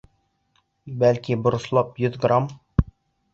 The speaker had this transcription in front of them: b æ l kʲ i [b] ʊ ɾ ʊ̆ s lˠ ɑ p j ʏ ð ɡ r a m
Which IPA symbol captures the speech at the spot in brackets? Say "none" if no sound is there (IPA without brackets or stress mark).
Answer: b